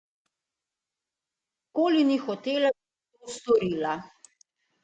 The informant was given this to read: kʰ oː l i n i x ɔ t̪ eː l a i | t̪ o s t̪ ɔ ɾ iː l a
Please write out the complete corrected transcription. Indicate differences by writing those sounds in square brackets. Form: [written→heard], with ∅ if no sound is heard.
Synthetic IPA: [kʰ→k] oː l i n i x ɔ t̪ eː l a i | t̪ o s t̪ ɔ ɾ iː l a